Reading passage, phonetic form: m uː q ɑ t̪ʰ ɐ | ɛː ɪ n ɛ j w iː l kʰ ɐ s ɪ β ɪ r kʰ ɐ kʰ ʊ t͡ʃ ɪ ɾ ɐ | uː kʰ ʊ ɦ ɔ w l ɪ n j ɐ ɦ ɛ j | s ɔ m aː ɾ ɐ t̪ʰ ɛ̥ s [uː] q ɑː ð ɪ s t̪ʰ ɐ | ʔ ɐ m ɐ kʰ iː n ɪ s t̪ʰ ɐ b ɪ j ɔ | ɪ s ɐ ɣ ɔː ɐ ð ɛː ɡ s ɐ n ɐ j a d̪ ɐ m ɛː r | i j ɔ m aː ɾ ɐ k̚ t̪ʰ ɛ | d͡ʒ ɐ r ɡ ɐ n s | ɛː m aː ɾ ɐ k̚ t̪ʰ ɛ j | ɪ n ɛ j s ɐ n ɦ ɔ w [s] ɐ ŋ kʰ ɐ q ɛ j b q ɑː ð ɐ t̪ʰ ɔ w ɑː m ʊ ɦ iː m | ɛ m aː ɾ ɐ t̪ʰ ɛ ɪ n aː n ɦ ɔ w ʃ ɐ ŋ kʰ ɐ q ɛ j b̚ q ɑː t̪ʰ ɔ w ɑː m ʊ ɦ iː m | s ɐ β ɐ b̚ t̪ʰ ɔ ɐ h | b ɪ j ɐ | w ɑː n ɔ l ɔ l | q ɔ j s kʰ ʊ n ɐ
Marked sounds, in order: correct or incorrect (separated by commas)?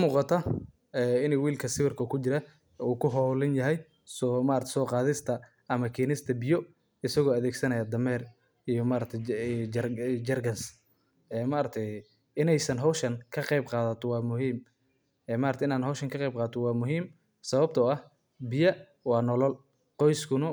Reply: incorrect, incorrect